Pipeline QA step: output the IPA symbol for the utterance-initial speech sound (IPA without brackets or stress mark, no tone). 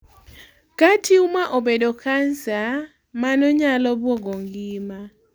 k